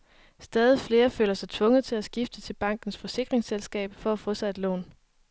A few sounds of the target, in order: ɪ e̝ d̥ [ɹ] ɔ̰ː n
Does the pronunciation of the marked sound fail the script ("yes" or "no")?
yes